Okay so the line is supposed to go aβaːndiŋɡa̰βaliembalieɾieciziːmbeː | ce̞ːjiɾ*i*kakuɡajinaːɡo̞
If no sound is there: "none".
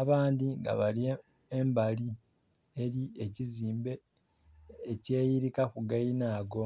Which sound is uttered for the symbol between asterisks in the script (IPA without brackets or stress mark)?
i